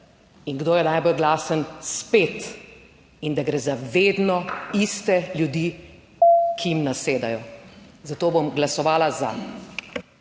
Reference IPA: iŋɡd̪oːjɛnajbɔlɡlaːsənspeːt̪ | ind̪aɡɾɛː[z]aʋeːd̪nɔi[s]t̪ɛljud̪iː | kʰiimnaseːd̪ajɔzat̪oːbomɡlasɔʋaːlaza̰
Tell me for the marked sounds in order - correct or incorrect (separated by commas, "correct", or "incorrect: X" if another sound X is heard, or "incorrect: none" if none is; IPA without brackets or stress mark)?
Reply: correct, correct